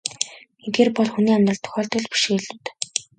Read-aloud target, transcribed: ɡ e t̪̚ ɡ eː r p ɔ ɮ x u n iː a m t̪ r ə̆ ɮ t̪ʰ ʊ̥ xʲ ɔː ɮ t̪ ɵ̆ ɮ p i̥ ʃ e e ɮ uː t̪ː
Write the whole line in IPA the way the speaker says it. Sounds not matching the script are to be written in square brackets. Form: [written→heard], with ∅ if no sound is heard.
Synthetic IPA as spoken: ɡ e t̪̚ ɡ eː r p ɔ ɮ x u n iː a m t̪ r ə̆ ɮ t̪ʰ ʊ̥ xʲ ɔː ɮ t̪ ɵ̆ ɮ p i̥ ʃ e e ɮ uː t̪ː